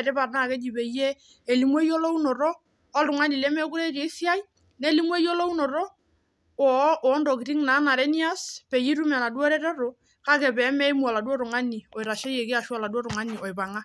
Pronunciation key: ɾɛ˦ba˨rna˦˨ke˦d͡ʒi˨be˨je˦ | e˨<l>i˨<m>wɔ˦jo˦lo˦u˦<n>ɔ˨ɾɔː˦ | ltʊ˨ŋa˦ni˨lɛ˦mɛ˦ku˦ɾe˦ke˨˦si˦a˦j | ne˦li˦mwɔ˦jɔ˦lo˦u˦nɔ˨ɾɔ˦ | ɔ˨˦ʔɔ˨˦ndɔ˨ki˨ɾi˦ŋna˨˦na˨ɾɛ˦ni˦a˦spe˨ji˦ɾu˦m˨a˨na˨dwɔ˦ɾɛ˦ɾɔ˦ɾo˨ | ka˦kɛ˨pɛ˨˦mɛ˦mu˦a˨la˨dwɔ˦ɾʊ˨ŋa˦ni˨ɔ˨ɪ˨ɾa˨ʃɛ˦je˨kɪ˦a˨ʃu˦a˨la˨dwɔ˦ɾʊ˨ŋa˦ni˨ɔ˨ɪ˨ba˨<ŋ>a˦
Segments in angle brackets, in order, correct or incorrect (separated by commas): correct, correct, correct, correct